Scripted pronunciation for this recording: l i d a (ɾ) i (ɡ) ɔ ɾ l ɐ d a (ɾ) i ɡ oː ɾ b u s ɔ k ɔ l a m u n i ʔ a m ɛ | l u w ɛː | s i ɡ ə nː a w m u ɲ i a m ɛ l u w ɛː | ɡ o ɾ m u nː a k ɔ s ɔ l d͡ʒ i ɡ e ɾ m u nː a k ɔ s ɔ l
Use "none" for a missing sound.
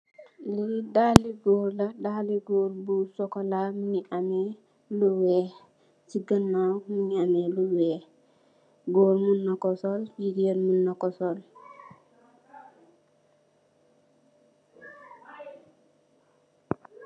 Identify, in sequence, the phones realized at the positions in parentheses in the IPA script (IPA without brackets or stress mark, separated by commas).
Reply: l, ɡ, l